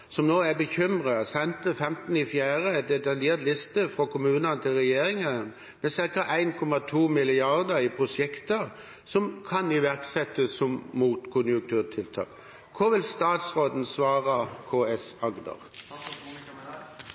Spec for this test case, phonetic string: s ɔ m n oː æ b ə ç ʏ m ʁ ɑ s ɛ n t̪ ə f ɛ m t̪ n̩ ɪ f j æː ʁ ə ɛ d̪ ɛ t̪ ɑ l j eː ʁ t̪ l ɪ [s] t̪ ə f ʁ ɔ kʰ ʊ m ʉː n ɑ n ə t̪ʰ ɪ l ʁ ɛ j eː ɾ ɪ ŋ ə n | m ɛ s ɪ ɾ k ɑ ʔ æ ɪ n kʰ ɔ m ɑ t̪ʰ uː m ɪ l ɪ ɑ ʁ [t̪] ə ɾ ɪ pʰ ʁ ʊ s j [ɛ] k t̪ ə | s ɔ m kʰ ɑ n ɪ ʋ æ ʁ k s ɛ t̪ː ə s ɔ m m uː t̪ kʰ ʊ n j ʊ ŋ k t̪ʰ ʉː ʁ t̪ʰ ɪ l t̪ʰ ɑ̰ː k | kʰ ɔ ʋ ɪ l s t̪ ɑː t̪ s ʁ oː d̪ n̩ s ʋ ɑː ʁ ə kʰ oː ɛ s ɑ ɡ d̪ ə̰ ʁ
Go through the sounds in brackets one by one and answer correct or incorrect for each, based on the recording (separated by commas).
correct, incorrect, correct